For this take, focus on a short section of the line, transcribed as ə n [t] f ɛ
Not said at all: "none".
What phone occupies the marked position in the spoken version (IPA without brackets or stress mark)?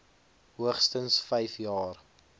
s